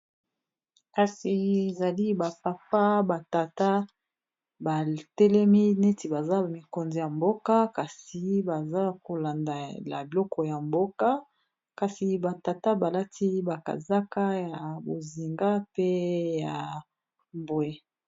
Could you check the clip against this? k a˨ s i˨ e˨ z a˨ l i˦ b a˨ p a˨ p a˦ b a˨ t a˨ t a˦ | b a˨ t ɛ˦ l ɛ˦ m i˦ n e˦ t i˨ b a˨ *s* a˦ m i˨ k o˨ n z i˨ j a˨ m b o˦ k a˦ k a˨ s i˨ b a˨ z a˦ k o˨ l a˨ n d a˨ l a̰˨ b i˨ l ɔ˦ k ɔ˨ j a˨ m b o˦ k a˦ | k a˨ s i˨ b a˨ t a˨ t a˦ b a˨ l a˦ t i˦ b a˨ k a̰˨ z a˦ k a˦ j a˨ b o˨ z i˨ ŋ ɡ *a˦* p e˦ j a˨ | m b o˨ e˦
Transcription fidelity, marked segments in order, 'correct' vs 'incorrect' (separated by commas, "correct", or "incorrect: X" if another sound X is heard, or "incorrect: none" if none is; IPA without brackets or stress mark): incorrect: z, correct